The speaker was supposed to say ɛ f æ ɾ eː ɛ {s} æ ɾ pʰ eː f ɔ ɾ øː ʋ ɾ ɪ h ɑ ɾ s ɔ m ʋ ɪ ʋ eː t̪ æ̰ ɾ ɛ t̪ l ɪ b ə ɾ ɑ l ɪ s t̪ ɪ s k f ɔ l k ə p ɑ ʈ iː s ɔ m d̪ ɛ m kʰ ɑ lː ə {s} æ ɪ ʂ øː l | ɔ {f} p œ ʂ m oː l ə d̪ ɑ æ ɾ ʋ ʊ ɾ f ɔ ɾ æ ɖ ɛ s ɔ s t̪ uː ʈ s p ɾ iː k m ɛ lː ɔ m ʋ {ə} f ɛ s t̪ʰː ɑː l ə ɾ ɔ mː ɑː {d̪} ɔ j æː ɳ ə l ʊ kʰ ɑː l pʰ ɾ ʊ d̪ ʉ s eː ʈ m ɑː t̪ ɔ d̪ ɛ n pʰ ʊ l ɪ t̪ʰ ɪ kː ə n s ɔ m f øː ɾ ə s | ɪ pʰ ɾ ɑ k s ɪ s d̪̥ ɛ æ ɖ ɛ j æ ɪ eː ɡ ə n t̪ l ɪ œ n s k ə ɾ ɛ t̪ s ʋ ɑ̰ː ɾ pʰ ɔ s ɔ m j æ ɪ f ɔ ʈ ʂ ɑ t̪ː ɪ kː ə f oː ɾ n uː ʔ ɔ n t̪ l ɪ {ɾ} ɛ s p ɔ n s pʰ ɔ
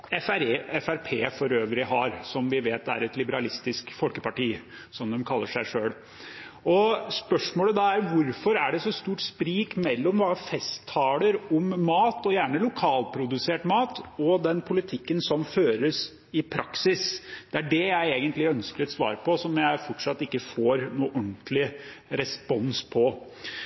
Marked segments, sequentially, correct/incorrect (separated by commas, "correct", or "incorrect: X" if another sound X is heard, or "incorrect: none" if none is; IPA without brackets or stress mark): incorrect: f, incorrect: ʂ, incorrect: s, incorrect: ɑ, incorrect: t̪, correct